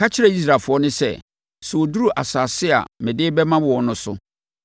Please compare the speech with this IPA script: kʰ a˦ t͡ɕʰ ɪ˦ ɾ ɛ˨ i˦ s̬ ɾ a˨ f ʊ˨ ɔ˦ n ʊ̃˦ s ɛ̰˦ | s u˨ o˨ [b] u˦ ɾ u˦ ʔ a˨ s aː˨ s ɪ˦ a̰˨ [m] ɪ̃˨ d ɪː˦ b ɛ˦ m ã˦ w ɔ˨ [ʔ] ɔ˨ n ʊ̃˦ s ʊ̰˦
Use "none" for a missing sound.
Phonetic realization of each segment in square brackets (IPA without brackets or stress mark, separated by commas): d, m, none